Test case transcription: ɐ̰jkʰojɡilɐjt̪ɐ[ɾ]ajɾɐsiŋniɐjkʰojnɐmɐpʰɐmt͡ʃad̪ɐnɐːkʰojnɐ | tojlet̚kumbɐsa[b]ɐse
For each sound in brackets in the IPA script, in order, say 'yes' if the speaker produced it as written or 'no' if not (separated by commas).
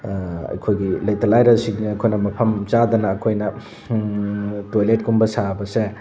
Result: no, yes